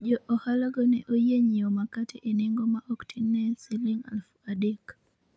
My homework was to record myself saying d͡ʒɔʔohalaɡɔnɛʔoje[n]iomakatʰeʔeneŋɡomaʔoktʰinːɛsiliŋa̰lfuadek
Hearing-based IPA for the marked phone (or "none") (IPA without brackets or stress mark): ɲ